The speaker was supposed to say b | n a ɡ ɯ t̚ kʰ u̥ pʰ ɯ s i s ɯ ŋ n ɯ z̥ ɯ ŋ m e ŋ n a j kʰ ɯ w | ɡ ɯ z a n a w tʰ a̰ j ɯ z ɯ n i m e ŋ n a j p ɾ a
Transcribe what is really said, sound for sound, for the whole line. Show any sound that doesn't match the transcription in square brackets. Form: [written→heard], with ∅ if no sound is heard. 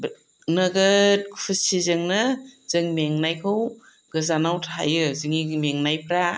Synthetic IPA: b | n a ɡ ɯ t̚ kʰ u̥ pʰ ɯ s i [s→z] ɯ ŋ n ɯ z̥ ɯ ŋ m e ŋ n a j kʰ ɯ w | ɡ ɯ z a n a w tʰ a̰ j ɯ z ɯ [n→ŋ] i m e ŋ n a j p ɾ a